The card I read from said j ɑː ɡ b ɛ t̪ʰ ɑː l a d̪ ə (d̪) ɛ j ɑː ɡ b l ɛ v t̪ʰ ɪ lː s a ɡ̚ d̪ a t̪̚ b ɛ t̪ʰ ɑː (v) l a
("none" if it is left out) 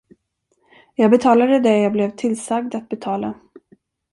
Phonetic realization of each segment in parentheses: d̪, none

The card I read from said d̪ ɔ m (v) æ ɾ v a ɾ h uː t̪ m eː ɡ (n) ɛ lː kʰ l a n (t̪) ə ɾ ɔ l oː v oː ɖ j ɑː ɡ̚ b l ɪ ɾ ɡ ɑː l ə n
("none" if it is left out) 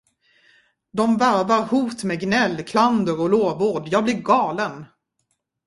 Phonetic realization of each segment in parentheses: v, n, d̪

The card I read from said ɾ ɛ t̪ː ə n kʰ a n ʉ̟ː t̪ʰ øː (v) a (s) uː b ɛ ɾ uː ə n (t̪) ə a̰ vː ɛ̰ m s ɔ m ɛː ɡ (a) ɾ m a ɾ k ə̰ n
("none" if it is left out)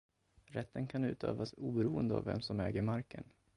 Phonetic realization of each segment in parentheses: v, s, d̪, ə

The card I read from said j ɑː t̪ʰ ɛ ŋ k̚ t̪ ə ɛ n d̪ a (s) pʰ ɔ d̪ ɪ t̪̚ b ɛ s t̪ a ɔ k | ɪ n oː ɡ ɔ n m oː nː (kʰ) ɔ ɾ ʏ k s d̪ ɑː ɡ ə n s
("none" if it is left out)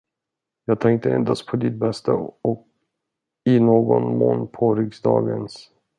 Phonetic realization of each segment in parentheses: s, pʰ

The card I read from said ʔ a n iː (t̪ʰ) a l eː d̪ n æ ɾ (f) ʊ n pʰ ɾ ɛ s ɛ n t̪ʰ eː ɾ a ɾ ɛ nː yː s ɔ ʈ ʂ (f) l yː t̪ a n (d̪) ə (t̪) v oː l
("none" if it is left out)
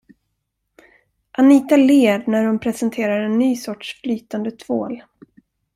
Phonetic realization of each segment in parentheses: t̪, h, f, d̪, t̪ʰ

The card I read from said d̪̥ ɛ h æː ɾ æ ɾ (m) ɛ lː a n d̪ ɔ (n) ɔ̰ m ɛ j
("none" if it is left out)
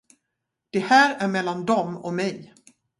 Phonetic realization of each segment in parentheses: m, m

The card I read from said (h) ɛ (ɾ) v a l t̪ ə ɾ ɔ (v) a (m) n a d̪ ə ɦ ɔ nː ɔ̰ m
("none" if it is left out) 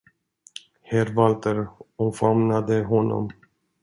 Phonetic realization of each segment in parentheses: h, ɾ, f, m

